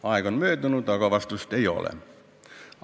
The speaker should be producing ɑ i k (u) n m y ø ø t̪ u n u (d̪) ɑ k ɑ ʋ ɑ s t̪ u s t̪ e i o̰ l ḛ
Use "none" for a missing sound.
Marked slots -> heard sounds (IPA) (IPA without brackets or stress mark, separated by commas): o, t̪